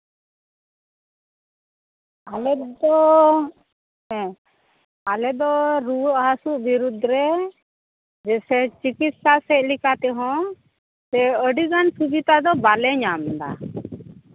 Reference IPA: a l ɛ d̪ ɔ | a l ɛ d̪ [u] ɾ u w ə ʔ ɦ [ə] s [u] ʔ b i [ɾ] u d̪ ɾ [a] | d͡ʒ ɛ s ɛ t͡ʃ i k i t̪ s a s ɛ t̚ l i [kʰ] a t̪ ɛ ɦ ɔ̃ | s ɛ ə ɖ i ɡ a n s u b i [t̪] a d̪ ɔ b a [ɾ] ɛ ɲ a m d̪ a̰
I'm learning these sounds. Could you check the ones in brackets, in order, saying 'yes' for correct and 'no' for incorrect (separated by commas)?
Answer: no, no, yes, yes, no, no, yes, no